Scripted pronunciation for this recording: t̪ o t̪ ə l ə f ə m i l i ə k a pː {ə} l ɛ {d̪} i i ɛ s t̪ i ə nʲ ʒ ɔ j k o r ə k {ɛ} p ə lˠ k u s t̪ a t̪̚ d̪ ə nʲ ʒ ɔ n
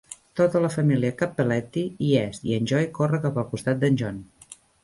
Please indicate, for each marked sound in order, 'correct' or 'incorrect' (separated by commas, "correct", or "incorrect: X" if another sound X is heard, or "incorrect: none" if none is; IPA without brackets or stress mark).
correct, incorrect: t̪, incorrect: a